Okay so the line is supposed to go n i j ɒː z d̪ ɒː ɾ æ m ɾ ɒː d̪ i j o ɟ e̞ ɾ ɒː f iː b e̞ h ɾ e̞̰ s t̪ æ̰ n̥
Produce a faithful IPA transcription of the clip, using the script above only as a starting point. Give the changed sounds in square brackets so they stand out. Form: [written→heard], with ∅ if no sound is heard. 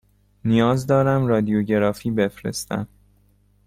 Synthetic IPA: n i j ɒː z d̪ ɒː ɾ æ m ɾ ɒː d̪ i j o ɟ e̞ ɾ ɒː f iː b e̞ [h→f] ɾ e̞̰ s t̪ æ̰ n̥